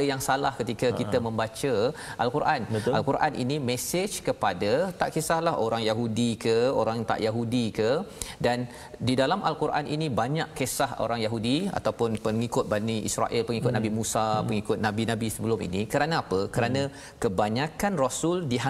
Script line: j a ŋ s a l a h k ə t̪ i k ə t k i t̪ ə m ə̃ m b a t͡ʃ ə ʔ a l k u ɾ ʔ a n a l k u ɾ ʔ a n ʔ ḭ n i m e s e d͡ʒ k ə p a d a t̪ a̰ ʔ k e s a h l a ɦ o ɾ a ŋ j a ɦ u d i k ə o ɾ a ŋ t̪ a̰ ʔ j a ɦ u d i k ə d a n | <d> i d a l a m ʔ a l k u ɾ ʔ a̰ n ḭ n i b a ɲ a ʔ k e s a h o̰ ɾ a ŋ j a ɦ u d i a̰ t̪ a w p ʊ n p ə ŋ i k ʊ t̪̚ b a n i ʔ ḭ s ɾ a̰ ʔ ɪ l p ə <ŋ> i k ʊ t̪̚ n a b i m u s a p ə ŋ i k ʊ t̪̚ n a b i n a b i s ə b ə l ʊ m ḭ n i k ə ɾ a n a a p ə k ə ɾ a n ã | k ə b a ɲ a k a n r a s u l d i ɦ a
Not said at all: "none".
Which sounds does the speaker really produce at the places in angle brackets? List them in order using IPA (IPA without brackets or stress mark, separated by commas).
d, ŋ